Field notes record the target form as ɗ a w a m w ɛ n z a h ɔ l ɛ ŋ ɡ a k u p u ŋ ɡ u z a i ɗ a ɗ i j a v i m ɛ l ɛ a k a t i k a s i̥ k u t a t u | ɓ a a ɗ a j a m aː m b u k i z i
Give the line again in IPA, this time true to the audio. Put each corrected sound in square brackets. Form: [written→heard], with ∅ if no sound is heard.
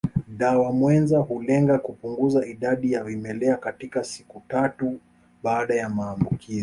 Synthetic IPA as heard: ɗ a w a m w ɛ n z a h [ɔ→u] l ɛ ŋ ɡ a k u p u ŋ ɡ u z a i ɗ a ɗ i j a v i m ɛ l ɛ a k a t i k a s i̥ k u t a t u | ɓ a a ɗ a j a m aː m b u k i z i

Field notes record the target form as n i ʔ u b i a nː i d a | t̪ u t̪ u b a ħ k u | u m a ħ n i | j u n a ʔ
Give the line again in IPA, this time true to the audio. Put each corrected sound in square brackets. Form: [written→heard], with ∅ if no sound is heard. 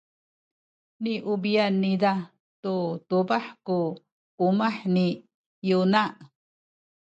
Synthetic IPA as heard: n i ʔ u b i a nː i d a | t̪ u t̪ u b a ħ k u | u m a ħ n i | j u n a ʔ

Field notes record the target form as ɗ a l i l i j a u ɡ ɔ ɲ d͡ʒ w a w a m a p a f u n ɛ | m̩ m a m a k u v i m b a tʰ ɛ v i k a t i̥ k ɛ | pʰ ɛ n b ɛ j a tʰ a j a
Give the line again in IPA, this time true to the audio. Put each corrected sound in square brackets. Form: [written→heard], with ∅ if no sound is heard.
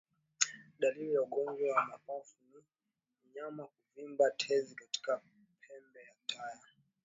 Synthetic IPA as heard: ɗ a l i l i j a u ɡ ɔ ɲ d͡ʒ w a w a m a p a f u n [ɛ→i] | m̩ [m→ɲ] a m a k u v i m b a tʰ ɛ [v→z] i k a t i̥ k [ɛ→a] | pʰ ɛ [n→m] b ɛ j a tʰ a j a

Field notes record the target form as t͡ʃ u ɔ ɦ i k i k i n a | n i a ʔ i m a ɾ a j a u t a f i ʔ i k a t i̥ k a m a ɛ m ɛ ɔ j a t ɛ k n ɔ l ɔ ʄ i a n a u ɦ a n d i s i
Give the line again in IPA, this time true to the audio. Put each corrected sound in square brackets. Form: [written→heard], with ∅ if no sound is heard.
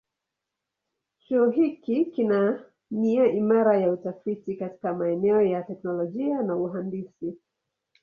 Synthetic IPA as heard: t͡ʃ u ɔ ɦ i k i k i n a | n i a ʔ i m a ɾ a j a u t a f i [ʔ→t] i k a t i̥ k a m a ɛ [m→n] ɛ ɔ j a t ɛ k n ɔ l ɔ ʄ i a n a u ɦ a n d i s i

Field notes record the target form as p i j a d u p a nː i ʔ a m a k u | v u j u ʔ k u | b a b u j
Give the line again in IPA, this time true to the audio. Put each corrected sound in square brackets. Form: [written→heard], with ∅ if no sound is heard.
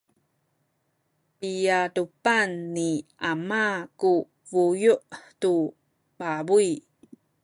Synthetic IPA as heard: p i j a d u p a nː i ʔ a m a k u | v u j u ʔ [k→t] u | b a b u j

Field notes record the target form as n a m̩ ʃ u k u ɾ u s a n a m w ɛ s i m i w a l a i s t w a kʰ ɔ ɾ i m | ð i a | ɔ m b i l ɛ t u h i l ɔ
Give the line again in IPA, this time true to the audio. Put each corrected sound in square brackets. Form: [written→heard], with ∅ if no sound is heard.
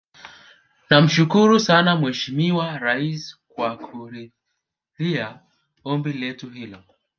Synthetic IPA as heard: n a m̩ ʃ u k u ɾ u s a n a m w ɛ [s→ʃ] i m i w a [l→ɾ] a i s [t→k] w a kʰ [ɔ→u] ɾ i [m→∅] | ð i a | ɔ m b i l ɛ t u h i l ɔ

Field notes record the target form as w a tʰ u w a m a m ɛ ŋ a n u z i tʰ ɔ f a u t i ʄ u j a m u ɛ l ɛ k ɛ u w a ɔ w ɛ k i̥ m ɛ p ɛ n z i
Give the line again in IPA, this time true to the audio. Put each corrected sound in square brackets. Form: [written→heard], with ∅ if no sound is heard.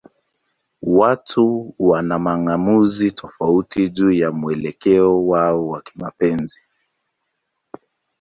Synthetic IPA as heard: w a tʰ u w a [m→n] a m [ɛ→a] ŋ a [n→m] u z i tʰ ɔ f a u t i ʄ u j a m u ɛ l ɛ k ɛ [u→ɔ] w a ɔ w [ɛ→a] k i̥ m [ɛ→a] p ɛ n z i

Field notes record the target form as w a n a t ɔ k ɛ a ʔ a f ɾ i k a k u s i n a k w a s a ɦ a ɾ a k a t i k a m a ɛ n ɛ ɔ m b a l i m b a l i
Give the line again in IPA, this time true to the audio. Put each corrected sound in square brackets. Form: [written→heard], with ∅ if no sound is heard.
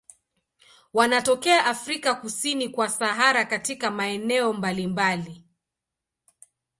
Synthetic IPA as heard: w a n a t ɔ k ɛ a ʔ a f ɾ i k a k u s i n [a→i] k w a s a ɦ a ɾ a k a t i k a m a ɛ n ɛ ɔ m b a l i m b a l i

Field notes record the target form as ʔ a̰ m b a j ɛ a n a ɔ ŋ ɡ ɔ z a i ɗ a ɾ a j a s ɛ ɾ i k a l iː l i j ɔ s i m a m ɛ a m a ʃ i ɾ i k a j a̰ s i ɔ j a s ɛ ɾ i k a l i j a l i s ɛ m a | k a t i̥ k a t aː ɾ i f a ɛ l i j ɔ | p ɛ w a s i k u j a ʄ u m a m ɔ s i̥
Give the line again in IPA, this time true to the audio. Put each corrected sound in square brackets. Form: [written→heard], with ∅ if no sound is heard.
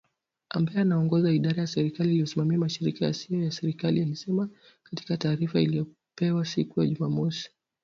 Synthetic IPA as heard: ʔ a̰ m b a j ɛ a n a ɔ ŋ ɡ ɔ z a i ɗ a ɾ a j a s ɛ ɾ i k a l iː l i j ɔ s i m a m [ɛ→i] a m a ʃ i ɾ i k a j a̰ s i ɔ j a s ɛ ɾ i k a l i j a l i s ɛ m a | k a t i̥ k a t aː ɾ i f a [ɛ→i] l i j ɔ | p ɛ w a s i k u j a ʄ u m a m ɔ s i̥

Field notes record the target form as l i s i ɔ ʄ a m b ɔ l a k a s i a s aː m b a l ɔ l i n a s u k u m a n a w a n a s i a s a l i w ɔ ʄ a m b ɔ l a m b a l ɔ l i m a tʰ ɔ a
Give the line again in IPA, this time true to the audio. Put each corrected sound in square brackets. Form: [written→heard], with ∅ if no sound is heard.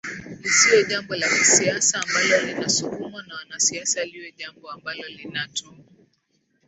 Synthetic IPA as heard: l i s i ɔ ʄ a m b ɔ l a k [a→i] s i a s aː m b a l ɔ l i n a s u k u m a n a w a n a s i a s a l i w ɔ ʄ a m b ɔ [l→∅] a m b a l ɔ l i [m→n] a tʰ ɔ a

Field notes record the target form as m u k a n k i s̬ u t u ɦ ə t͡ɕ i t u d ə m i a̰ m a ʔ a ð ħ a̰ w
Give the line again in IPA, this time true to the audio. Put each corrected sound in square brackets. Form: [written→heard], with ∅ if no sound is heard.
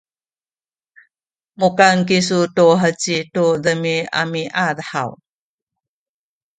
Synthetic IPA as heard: m u k a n k i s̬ u t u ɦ ə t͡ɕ i t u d ə m i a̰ m [a→i] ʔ a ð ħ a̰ w

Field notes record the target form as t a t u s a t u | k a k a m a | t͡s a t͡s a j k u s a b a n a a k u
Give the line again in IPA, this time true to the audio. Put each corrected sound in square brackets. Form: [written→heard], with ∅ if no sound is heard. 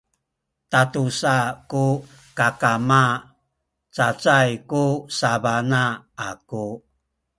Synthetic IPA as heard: t a t u s a [t→k] u | k a k a m a | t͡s a t͡s a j k u s a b a n a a k u

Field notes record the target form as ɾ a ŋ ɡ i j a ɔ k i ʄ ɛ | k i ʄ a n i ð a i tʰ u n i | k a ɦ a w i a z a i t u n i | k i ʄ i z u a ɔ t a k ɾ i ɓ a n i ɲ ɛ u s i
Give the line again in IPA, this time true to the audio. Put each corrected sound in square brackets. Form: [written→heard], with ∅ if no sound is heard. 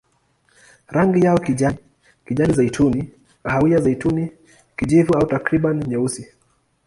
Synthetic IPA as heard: ɾ a ŋ ɡ i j a ɔ k i ʄ [ɛ→a] | k i ʄ a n i [ð→z] a i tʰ u n i | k a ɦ a w i a z a i t u n i | k i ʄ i [z→v] u a [ɔ→u] t a k ɾ i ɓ a n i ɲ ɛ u s i

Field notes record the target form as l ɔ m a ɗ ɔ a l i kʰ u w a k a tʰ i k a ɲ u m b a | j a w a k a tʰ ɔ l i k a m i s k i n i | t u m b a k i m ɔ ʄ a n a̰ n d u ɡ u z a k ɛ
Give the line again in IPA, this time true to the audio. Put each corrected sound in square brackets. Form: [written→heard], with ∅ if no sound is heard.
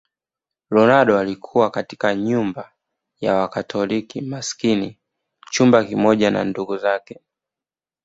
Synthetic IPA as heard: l ɔ [m→n] a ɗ ɔ a l i kʰ u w a k a [tʰ→t] i k a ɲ u m b a | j a w a k a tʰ ɔ l i k [a→i] m [i→a] s k i n i | [t→t͡ʃ] u m b a k i m ɔ ʄ a n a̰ n d u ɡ u z a k ɛ

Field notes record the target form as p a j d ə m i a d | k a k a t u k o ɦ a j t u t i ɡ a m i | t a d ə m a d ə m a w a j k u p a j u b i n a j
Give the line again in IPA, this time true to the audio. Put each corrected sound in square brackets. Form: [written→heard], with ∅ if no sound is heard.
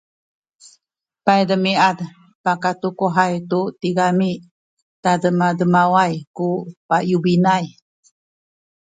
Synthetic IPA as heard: p a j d ə m i a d | [k→p] a k a t u k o ɦ a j t u t i ɡ a m i | t a d ə m a d ə m a w a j k u p a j u b i n a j

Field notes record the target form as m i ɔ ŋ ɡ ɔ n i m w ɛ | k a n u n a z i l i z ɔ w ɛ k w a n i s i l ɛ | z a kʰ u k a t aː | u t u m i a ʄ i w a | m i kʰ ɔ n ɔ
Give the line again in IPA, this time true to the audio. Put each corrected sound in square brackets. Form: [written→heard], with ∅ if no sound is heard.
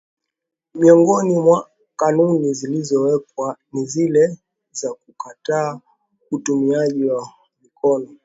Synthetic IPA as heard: m i ɔ ŋ ɡ ɔ n i m w [ɛ→a] | k a n u n [a→i] z i l i z ɔ w ɛ k w a n i [s→z] i l ɛ | z a [kʰ→k] u k a t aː | u t u m i a ʄ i w a | m i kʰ ɔ n ɔ

